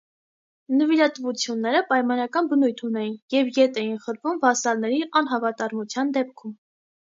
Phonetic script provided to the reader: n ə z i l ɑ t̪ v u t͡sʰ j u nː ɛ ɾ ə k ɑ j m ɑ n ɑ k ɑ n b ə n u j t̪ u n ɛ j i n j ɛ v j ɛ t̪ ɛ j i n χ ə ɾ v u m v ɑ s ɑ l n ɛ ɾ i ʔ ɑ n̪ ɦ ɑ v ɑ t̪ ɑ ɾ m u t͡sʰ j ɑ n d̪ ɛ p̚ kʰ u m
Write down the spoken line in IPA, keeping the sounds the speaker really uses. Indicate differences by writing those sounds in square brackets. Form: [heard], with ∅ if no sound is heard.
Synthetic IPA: n ə [v] i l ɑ t̪ v u t͡sʰ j u nː ɛ ɾ ə [p] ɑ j m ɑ n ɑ k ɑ n b ə n u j [t̪ʰ] u n ɛ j i n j ɛ v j ɛ t̪ ɛ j i n χ ə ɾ v u m v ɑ s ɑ l n ɛ ɾ i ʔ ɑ n̪ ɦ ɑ v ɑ t̪ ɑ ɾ m u t͡sʰ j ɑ n d̪ ɛ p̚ kʰ u m

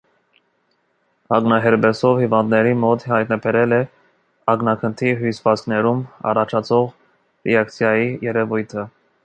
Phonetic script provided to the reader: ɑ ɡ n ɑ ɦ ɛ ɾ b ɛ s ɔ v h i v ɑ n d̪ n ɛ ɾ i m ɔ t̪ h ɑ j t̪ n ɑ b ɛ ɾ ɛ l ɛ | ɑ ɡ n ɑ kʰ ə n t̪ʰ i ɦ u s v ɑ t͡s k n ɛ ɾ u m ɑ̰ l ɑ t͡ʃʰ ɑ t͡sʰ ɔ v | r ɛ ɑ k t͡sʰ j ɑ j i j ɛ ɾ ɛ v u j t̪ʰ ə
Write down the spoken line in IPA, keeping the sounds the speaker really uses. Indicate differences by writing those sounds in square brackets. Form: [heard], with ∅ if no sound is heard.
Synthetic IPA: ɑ ɡ n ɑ ɦ ɛ ɾ b ɛ s ɔ v h i v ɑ n d̪ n ɛ ɾ i m ɔ t̪ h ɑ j t̪ n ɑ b ɛ ɾ ɛ l ɛ | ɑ ɡ n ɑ kʰ ə n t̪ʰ i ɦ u s v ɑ t͡s k n ɛ ɾ u m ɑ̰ [r] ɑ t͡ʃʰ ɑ t͡sʰ ɔ [ʁ] | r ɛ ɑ k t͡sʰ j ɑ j i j ɛ ɾ ɛ v u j t̪ʰ ə

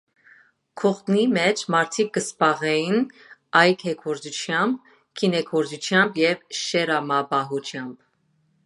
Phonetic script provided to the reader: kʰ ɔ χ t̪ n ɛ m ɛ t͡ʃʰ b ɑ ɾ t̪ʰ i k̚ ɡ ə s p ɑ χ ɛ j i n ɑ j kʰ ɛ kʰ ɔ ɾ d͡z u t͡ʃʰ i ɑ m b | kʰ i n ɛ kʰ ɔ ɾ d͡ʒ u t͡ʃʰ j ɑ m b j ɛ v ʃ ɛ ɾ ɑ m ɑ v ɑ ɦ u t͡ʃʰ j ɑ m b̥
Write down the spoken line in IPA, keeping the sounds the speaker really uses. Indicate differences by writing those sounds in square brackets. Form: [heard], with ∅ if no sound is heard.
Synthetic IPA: kʰ ɔ χ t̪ n [i] m ɛ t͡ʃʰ [m] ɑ ɾ t̪ʰ i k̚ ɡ ə s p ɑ [ʁ] ɛ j i n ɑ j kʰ ɛ kʰ ɔ ɾ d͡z u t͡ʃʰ [j] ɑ m b | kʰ i n ɛ kʰ ɔ ɾ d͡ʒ u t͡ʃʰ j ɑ m b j ɛ v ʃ ɛ ɾ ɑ m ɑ [b] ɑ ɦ u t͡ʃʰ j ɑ m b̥

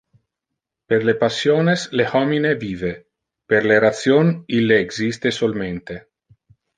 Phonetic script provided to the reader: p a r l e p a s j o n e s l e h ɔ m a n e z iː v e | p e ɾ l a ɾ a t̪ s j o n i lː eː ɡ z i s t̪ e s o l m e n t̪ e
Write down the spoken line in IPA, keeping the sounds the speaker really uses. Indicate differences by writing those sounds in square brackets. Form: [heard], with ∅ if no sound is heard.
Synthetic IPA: p [e] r l e p a s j o n e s l e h ɔ m [i] n e [v] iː v e | p e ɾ l [e] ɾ a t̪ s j o n i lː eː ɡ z i s t̪ e s o l m e n t̪ e

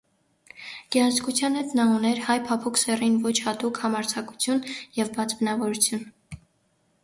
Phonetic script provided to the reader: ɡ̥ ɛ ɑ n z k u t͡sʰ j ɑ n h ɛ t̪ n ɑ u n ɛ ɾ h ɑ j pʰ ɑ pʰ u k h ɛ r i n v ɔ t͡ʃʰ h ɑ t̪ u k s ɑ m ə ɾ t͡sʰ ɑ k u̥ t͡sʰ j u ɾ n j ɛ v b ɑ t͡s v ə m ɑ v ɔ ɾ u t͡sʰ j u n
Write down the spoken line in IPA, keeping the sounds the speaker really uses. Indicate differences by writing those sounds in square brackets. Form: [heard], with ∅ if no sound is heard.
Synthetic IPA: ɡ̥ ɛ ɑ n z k u t͡sʰ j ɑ n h ɛ t̪ n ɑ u n ɛ ɾ h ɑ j pʰ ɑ pʰ u k [s] ɛ r i n v ɔ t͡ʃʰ h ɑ t̪ u k [h] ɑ m [ɑ] ɾ t͡sʰ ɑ k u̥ t͡sʰ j u [∅] n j ɛ v b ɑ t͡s [b] ə [n] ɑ v ɔ ɾ u t͡sʰ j u n

